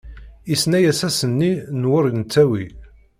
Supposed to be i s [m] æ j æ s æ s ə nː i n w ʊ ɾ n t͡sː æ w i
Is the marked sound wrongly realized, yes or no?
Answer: yes